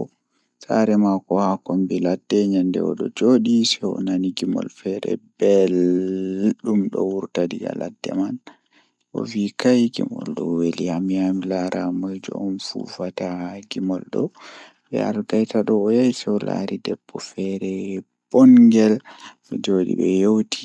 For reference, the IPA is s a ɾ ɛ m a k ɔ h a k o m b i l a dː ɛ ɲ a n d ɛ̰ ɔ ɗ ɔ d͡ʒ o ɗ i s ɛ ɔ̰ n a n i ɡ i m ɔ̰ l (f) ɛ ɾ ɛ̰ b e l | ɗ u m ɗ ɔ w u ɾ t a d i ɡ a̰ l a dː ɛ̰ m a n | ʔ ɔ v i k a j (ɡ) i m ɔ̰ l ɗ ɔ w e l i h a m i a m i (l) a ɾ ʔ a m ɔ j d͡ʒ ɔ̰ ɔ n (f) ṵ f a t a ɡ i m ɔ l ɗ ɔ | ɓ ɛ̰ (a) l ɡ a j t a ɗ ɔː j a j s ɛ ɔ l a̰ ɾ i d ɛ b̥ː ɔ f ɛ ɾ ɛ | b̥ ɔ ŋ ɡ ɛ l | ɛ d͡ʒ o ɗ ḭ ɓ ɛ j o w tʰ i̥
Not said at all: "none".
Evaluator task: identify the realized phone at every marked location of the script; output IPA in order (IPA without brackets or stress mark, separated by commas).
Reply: f, ɡ, l, f, a